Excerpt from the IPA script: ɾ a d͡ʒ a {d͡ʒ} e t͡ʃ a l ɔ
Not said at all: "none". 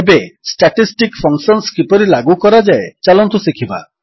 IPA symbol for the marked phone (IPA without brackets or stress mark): none